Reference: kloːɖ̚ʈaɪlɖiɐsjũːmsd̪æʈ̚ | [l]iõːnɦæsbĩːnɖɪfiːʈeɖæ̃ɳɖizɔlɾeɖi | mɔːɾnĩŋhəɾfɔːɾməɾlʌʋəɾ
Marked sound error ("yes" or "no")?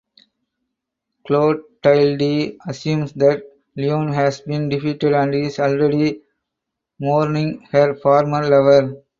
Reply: no